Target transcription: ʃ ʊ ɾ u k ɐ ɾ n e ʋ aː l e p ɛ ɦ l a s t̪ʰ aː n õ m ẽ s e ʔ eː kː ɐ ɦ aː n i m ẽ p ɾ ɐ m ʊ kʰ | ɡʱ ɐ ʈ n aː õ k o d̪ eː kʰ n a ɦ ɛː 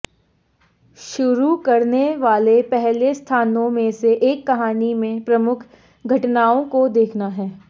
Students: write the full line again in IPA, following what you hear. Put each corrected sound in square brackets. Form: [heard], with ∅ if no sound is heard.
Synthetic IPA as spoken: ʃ ʊ ɾ u k ɐ ɾ n e ʋ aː l e p ɛ ɦ l [e] s t̪ʰ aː n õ m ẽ s e ʔ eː kː ɐ ɦ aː n i m ẽ p ɾ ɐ m ʊ kʰ | ɡʱ ɐ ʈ n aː õ k o d̪ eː kʰ n a ɦ ɛː